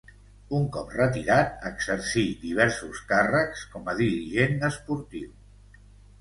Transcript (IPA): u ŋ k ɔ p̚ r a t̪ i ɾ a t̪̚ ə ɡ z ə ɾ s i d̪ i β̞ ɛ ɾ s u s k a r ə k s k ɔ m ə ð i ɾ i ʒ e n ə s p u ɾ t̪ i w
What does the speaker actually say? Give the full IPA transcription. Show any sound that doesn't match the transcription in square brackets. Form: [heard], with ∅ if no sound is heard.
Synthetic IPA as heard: u ŋ k ɔ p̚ r [ə] t̪ i ɾ a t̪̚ ə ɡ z ə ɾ s i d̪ i β̞ ɛ ɾ s u s k a r ə k s k ɔ m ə ð i ɾ i ʒ e n ə s p u ɾ t̪ i w